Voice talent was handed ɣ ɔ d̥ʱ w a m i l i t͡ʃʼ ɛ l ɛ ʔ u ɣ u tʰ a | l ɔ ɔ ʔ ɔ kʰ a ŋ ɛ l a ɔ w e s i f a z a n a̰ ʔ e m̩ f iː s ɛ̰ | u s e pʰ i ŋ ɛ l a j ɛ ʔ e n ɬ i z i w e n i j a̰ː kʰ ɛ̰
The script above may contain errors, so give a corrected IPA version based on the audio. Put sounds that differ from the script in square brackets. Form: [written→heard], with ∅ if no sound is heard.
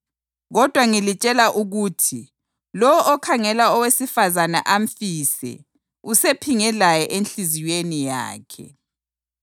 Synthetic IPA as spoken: ɣ ɔ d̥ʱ w a [m→ŋ] i l i t͡ʃʼ ɛ l [ɛ→a] ʔ u ɣ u tʰ [a→i] | l ɔ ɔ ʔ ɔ kʰ a ŋ ɛ l a ɔ w e s i f a z a n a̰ ʔ [e→a] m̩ f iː s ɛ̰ | u s e pʰ i ŋ ɛ l a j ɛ ʔ e n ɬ i z i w e n i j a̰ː kʰ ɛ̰